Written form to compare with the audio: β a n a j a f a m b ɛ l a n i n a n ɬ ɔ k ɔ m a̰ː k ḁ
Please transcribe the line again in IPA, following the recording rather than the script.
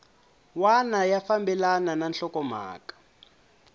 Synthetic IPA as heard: w a n a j a f a m b ɛ l a n a n a n ɬ ɔ k ɔ m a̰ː k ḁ